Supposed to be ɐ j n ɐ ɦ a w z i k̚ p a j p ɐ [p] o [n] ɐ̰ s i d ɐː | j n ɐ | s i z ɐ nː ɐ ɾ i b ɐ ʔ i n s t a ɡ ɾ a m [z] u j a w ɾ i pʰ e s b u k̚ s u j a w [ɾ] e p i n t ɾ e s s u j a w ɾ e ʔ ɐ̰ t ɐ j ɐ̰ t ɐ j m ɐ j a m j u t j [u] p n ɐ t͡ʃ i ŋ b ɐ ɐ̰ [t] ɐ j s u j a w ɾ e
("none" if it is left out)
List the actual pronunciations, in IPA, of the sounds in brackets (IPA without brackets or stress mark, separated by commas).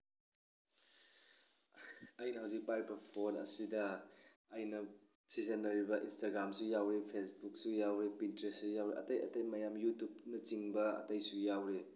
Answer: pʰ, n, s, ɾ, u, t